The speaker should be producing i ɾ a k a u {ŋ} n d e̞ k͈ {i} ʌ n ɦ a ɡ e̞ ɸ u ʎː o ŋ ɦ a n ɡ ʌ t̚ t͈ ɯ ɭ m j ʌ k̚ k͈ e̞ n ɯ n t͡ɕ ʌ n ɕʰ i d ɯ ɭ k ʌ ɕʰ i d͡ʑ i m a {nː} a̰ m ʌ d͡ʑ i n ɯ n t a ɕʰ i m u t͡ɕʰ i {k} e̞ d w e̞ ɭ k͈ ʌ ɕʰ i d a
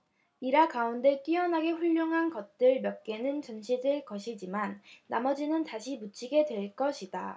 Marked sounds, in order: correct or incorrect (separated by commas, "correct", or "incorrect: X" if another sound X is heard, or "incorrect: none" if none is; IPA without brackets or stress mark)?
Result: incorrect: none, correct, correct, incorrect: ɡ